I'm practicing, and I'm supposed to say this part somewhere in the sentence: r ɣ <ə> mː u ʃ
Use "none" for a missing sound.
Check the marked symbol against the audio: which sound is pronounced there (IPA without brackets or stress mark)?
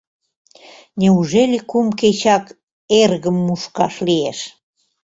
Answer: ə